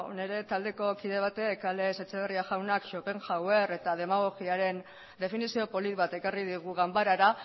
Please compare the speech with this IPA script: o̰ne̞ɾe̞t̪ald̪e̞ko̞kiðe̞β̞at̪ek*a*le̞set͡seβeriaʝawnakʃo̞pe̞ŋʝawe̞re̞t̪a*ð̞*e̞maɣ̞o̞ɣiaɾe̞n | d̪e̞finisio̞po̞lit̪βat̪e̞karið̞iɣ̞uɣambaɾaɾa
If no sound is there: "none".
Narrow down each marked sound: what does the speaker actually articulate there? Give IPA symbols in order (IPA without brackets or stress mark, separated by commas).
a, ð̞